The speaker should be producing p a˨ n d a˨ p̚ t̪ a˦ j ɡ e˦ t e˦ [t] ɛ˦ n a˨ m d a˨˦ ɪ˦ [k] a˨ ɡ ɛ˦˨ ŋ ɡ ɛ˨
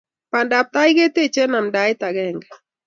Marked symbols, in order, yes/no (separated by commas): no, no